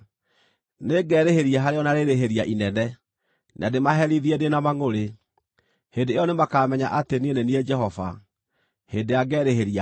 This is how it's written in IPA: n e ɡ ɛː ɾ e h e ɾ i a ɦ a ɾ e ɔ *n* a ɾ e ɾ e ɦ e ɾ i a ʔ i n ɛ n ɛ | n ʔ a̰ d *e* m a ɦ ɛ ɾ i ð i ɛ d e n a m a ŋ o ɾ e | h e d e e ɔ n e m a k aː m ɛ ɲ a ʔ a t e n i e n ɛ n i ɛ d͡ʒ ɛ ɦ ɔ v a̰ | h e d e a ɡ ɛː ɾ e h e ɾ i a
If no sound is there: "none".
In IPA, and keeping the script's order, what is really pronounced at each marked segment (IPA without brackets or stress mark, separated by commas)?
n, e